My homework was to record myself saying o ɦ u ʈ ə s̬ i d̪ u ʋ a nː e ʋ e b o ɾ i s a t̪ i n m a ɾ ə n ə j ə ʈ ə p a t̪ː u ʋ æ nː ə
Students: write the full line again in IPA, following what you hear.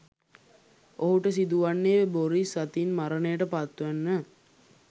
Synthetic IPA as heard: o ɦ u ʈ ə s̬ i d̪ u ʋ a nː e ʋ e b o ɾ i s a t̪ i n m a ɾ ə n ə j ə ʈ ə p a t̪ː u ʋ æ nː ə